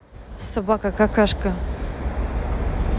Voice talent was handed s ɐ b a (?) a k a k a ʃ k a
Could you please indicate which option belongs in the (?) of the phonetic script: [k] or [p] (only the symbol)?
k